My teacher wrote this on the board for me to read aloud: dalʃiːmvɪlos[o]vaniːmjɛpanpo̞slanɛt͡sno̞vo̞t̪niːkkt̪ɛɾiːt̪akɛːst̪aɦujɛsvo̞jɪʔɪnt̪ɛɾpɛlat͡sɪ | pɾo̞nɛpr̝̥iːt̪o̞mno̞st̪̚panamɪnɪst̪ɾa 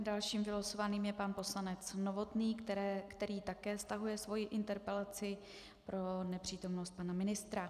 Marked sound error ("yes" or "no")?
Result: no